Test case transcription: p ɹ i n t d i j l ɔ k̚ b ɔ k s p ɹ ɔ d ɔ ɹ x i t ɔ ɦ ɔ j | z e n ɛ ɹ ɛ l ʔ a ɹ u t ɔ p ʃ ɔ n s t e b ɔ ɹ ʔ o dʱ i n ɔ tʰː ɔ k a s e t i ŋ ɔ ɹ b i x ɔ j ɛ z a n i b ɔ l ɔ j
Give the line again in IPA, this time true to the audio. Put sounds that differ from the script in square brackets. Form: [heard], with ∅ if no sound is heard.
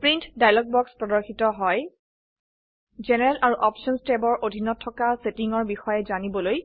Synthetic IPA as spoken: p ɹ i n t d [a] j l ɔ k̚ b ɔ k s p ɹ ɔ d ɔ ɹ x i t ɔ ɦ ɔ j | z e n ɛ ɹ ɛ l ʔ a ɹ u [ʔ] ɔ p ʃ ɔ n s t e b ɔ ɹ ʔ o dʱ i n ɔ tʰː ɔ k a s e t i ŋ ɔ ɹ b i x ɔ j ɛ z a n i b ɔ l [o] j